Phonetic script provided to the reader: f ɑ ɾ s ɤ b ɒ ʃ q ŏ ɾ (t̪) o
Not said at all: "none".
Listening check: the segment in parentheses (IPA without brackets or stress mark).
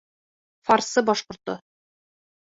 t̪